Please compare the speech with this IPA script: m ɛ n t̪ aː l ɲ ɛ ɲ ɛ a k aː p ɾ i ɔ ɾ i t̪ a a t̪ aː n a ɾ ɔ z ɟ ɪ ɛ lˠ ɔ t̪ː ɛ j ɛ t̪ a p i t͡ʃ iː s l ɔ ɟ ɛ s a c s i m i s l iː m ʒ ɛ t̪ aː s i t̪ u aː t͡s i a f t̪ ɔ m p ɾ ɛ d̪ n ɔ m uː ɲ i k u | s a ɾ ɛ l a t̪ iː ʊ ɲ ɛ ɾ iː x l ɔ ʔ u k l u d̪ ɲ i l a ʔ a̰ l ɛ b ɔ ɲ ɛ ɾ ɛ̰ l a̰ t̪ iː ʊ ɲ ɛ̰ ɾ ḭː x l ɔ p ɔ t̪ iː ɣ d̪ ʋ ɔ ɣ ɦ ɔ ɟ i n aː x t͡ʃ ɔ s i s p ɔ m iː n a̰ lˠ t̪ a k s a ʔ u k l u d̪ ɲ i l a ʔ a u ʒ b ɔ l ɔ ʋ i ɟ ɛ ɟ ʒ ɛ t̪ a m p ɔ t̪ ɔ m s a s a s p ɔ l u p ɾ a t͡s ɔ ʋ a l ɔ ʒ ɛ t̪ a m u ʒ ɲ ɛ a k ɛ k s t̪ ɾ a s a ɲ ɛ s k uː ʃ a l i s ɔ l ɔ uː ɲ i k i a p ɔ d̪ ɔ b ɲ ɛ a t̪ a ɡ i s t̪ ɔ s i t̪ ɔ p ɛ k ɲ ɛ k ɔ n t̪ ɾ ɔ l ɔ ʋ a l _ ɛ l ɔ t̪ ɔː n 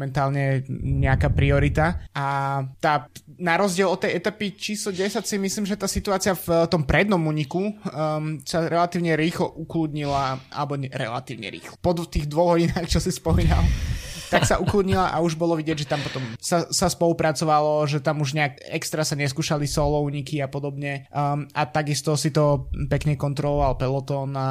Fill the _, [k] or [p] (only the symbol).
p